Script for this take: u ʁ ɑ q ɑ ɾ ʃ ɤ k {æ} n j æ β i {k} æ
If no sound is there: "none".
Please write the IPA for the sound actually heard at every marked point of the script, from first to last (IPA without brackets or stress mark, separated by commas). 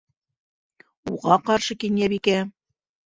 i, k